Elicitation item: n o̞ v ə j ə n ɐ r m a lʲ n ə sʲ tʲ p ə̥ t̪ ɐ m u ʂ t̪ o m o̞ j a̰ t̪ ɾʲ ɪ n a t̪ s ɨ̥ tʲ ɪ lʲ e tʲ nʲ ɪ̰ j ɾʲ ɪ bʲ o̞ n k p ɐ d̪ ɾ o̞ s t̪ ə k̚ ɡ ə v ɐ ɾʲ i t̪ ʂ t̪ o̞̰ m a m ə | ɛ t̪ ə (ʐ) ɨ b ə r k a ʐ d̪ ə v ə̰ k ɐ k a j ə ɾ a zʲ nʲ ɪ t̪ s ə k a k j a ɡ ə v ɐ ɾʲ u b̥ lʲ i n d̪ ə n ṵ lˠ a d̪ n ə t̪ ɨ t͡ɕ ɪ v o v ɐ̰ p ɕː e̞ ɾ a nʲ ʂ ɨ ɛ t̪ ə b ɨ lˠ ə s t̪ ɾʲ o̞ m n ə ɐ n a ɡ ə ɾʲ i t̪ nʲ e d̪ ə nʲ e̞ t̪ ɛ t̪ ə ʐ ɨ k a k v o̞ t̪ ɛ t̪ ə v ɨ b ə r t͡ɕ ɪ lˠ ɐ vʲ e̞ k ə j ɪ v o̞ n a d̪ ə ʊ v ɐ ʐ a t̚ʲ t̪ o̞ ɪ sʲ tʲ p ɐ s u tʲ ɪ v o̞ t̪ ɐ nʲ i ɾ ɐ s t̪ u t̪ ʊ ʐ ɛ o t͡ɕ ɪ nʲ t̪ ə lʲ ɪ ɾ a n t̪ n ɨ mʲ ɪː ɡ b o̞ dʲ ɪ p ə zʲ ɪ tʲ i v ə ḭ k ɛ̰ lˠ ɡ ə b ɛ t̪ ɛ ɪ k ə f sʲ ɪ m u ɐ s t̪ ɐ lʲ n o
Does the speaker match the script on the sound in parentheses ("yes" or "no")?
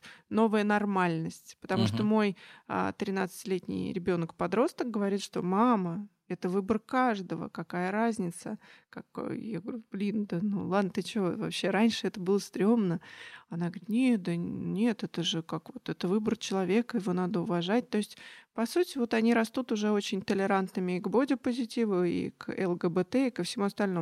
no